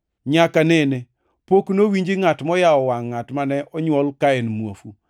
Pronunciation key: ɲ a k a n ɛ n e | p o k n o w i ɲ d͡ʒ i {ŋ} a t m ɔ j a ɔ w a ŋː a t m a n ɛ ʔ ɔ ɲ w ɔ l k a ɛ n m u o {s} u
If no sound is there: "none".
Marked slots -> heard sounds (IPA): ŋ, f

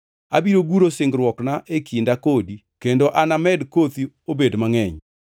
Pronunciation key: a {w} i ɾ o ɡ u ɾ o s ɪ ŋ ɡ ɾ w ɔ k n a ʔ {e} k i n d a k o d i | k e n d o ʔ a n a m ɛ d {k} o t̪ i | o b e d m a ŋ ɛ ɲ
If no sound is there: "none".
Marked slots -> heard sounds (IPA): b, e, k

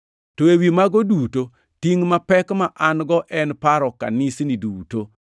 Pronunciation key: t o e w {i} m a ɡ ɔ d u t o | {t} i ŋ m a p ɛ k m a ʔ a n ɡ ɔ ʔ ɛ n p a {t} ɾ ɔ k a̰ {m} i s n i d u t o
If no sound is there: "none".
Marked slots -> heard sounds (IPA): i, t, none, n

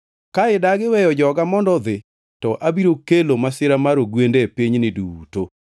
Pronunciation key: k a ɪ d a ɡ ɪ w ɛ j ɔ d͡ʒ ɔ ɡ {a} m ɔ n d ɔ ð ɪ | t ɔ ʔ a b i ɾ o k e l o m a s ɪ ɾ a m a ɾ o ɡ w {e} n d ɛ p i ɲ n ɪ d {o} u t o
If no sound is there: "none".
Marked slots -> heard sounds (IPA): a, e, u

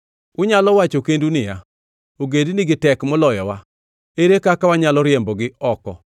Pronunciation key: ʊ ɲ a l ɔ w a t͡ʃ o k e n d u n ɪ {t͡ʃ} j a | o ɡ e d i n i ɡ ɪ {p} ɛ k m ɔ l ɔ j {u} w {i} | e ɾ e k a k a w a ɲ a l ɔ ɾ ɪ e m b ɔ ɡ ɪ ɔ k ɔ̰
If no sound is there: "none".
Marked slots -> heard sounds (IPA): none, t, ɔ, a

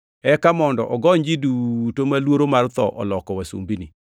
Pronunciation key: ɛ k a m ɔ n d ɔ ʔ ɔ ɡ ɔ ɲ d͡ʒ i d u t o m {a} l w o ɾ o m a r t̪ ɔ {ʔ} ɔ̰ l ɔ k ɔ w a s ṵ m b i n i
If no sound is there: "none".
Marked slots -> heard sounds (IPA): a, ʔ

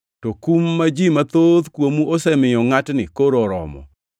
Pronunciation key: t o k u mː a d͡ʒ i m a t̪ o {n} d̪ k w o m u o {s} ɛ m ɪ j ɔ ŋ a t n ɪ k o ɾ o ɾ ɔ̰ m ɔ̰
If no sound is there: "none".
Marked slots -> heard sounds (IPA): none, s

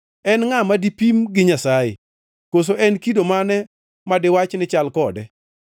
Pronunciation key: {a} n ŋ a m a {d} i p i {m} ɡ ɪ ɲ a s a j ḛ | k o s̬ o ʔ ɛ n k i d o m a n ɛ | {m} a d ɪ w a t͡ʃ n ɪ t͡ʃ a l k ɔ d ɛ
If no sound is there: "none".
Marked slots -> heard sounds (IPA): ɛ, d, m, m

